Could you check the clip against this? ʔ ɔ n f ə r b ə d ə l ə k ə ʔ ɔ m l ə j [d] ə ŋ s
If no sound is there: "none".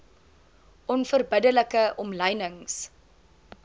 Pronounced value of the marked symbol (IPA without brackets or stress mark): n